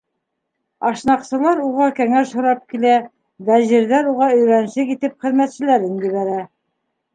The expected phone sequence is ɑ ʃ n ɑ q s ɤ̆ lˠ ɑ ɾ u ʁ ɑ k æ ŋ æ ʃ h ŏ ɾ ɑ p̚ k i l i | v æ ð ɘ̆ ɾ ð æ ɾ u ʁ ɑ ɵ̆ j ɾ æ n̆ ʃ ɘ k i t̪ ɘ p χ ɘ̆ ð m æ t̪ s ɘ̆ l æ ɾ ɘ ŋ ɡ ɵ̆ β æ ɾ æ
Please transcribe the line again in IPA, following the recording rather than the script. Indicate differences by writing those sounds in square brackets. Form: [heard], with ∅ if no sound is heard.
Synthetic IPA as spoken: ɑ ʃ n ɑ q s ɤ̆ lˠ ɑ ɾ u ʁ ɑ k æ ŋ æ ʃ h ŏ ɾ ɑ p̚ k i l [æ] | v æ [ʑ] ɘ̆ ɾ ð æ ɾ u ʁ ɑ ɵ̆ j ɾ æ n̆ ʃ ɘ k i t̪ ɘ p χ ɘ̆ ð m æ t̪ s ɘ̆ l æ ɾ ɘ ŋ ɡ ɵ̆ β æ ɾ æ